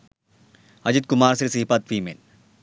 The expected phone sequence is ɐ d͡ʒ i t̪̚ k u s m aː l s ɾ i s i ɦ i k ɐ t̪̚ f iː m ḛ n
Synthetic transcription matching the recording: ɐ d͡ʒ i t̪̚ k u m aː ɾ s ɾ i s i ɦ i p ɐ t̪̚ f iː m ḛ n